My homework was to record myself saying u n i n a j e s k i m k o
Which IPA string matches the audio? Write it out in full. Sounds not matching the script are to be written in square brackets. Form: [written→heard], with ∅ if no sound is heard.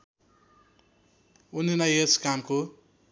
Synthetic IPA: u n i n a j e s k [i→a] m k o

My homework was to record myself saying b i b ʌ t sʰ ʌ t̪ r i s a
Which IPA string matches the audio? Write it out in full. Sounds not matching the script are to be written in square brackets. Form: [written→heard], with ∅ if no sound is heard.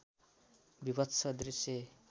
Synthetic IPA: b i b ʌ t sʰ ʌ [t̪→d̪] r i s [a→e]

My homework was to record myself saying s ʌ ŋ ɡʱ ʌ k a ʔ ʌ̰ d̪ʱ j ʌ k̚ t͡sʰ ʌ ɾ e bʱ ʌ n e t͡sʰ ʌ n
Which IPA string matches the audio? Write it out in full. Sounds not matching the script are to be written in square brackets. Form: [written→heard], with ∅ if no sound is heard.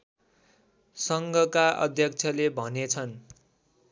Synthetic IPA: s ʌ ŋ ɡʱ ʌ k a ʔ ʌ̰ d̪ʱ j ʌ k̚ t͡sʰ ʌ [ɾ→l] e bʱ ʌ n e t͡sʰ ʌ n

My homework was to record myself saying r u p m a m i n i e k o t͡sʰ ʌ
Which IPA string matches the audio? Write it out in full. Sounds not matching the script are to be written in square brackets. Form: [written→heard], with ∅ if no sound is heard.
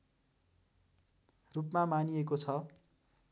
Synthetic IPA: r u p m a m [i→a] n i e k o t͡sʰ ʌ

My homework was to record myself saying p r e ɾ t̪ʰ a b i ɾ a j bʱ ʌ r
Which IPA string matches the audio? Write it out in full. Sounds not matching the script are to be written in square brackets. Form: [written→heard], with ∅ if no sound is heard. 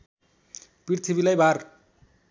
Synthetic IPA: p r [e→i] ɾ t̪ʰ [a→i] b i [ɾ→l] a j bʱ [ʌ→a] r

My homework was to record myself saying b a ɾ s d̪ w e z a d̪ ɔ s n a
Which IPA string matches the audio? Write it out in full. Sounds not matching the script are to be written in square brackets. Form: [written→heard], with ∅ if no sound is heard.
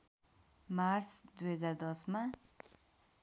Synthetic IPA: [b→m] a ɾ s d̪ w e z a d̪ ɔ s [n→m] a

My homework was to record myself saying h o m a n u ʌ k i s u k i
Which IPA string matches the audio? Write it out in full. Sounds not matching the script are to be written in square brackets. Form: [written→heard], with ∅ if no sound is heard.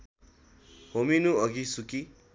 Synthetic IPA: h o m [a→i] n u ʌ [k→ɡ] i s u k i

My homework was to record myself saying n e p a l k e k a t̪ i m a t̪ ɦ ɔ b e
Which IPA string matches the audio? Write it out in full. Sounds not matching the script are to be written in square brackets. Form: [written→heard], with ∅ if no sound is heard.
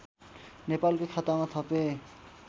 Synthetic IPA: n e p a l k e [k→kʰ] a t̪ [i→a] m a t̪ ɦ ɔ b e

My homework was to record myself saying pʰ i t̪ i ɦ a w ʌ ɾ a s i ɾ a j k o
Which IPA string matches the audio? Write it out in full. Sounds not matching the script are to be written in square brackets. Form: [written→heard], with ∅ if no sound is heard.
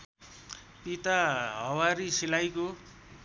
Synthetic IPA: [pʰ→p] i t̪ [i→a] ɦ [a→ʌ] w [ʌ→a] ɾ [a→i] s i [ɾ→l] a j k o

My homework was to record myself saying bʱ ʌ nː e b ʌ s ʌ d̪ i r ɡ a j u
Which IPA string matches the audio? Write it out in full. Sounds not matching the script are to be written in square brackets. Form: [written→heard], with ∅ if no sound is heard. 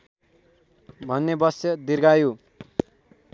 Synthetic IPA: bʱ ʌ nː e b ʌ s ʌ d̪ i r ɡ a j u

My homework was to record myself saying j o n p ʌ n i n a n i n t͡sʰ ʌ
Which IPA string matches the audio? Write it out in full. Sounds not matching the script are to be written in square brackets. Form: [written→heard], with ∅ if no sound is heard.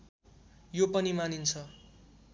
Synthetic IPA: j o [n→∅] p ʌ n i [n→m] a n i n t͡sʰ ʌ

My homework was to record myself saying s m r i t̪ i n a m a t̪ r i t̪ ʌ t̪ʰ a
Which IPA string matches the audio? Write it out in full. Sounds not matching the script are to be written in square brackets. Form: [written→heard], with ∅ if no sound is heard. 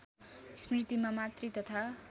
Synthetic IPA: s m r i t̪ i [n→m] a m a t̪ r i t̪ ʌ t̪ʰ a

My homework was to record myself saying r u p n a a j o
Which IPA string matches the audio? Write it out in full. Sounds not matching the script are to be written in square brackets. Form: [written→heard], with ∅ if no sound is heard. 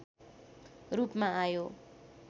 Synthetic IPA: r u p [n→m] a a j o

